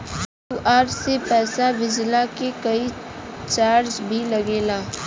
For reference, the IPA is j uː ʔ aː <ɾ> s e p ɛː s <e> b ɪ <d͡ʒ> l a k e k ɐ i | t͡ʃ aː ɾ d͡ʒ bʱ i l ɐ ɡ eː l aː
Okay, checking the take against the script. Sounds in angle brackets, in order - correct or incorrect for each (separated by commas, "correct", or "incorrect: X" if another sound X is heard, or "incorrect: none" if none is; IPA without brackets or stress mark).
correct, incorrect: a, correct